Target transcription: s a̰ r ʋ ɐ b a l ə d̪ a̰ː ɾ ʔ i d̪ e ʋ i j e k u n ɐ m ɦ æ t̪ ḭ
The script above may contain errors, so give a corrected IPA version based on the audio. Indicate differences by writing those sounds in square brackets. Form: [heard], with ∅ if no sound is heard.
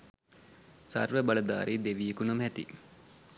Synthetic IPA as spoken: s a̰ r ʋ [ə] b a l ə d̪ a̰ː ɾ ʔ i d̪ e ʋ i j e k u n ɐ m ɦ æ t̪ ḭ